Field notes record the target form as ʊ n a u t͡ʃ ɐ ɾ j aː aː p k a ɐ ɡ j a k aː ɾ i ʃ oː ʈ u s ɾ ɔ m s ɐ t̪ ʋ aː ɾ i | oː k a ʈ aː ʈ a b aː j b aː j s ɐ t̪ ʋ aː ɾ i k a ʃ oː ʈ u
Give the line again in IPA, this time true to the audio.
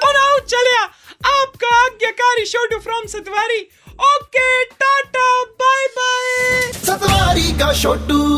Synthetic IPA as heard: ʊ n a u t͡ʃ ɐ l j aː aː p k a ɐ ɡ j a k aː ɾ i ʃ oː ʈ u f ɾ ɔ m s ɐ t̪ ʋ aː ɾ i | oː k e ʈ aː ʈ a b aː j b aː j s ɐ t̪ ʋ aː ɾ i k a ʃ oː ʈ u